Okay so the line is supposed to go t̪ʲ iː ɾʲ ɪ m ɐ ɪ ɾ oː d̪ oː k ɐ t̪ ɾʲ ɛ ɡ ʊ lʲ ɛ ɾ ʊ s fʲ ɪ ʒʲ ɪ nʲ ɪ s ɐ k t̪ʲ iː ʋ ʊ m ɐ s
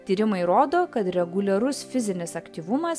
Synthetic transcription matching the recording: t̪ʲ iː ɾʲ ɪ m ɐ ɪ ɾ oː d̪ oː k ɐ t̪ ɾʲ ɛ ɡ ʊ lʲ ɛ ɾ ʊ s fʲ ɪ zʲ ɪ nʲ ɪ s ɐ k t̪ʲ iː ʋ ʊ m ɐ s